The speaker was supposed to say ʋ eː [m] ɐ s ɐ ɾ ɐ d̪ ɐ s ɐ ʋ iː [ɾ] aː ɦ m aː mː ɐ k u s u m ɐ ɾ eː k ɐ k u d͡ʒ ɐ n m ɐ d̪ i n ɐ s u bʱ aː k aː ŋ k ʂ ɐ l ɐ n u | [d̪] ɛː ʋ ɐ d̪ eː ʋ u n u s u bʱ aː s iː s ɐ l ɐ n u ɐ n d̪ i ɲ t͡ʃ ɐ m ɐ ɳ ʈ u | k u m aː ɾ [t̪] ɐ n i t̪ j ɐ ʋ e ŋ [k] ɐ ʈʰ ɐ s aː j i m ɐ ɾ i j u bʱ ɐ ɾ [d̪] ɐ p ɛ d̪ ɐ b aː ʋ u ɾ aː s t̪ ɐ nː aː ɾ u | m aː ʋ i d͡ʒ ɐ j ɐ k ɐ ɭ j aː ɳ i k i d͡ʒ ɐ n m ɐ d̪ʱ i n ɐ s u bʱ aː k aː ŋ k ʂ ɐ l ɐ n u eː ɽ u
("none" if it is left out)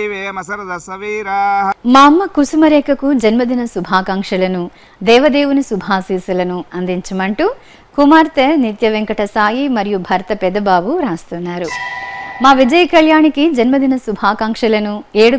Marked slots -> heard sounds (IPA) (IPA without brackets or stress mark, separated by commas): m, ɾ, d̪, t̪, k, t̪